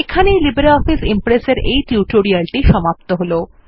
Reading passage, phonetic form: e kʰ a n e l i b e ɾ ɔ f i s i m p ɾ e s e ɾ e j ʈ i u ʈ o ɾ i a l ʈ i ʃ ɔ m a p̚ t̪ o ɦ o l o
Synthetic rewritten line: e kʰ a n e l i b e ɾ ɔ f i s i m p ɾ e s e ɾ e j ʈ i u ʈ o ɾ i a l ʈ i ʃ ɔ m a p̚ t̪ o ɦ o l o

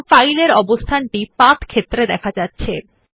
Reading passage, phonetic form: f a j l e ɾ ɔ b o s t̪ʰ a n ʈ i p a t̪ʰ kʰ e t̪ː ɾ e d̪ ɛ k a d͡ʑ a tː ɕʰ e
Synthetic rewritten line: f a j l e ɾ ɔ b o s t̪ʰ a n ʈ i p a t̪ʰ kʰ e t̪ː ɾ e d̪ ɛ kʰ a d͡ʑ a tː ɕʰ e

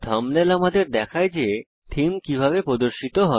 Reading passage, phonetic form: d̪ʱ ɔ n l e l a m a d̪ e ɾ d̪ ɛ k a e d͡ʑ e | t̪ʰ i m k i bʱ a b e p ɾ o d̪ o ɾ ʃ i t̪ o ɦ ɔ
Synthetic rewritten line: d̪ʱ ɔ m l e l a m a d̪ e ɾ d̪ ɛ kʰ a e d͡ʑ e | t̪ʰ i m k i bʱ a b e p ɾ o d̪ o ɾ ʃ i t̪ o ɦ ɔ

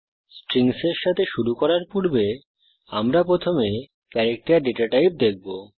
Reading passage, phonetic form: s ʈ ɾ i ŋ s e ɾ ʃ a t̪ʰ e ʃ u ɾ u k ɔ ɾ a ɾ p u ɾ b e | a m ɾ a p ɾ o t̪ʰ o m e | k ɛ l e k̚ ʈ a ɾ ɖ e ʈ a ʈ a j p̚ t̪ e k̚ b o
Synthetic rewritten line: s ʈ ɾ i ŋ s e ɾ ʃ a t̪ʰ e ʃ u ɾ u k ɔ ɾ a ɾ p u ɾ b e | a m ɾ a p ɾ o t̪ʰ o m e | k ɛ ɾ e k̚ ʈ a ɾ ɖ e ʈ a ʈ a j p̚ d̪ e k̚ b o

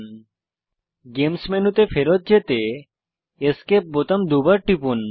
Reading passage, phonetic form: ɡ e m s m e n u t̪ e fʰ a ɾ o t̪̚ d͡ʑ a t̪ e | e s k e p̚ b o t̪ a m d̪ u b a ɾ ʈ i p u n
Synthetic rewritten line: ɡ e m s m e n u t̪ e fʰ e ɾ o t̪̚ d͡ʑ e t̪ e | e s k e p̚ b o t̪ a m d̪ u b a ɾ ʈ i p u n

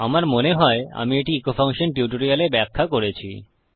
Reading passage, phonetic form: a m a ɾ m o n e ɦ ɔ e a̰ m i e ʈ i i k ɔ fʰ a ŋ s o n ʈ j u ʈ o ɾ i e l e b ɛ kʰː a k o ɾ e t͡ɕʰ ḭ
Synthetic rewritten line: a m a ɾ m o n e ɦ ɔ e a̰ m i e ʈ i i k o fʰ a ŋ ʃ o n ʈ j u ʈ o ɾ i a l e b ɛ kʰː a k o ɾ e t͡ɕʰ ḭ

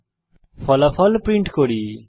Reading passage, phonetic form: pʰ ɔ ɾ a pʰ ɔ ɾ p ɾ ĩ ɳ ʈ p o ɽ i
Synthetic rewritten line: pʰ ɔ l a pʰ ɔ l p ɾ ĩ ɳ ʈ k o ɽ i

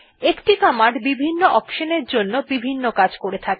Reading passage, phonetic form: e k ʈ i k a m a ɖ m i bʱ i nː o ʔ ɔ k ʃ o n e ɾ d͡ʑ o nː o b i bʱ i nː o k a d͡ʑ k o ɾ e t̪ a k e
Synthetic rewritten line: e k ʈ i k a m a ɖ b i bʱ i nː o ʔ ɔ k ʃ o n e ɾ d͡ʑ o nː o b i bʱ i nː o k a d͡ʑ k o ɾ e t̪ʰ a k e

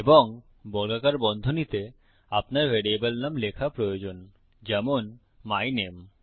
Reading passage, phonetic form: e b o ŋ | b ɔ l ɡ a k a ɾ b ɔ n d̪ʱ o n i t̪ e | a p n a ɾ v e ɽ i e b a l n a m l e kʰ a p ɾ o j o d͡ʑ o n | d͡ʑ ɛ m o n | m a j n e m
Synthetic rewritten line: e b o ŋ | b ɔ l ɡ a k a ɾ b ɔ n d̪ʱ o n i t̪ e | a p n a ɾ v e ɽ i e b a l n a m l e kʰ a p ɾ o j o d͡ʑ o n | d͡ʑ ɛ m o n | m a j n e m

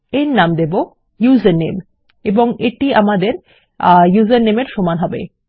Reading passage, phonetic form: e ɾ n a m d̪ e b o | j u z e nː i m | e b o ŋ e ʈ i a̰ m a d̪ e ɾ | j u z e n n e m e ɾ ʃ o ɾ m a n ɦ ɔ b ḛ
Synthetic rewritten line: e ɾ n a m d̪ e b o | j u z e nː e m | e b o ŋ e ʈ i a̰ m a d̪ e ɾ | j u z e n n e m e ɾ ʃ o m a n ɦ ɔ b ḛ

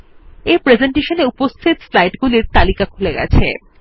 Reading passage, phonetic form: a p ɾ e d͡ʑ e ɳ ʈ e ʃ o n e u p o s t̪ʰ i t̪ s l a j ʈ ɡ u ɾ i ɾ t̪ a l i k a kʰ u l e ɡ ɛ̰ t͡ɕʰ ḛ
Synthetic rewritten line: e p ɾ e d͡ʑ e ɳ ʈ e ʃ o n e u p o s t̪ʰ i t̪ s l a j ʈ ɡ u l i ɾ t̪ a l i k a kʰ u l e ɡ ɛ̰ t͡ɕʰ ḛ

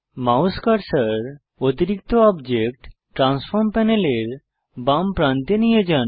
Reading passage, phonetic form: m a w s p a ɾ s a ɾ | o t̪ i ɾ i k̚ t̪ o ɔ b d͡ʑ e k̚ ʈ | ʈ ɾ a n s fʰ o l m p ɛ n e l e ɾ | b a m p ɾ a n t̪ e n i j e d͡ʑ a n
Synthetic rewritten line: m a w s k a ɾ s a ɾ | o t̪ i ɾ i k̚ t̪ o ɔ b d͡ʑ e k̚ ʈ | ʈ ɾ a n s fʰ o ɾ m p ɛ n e l e ɾ | b a m p ɾ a n t̪ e n i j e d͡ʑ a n

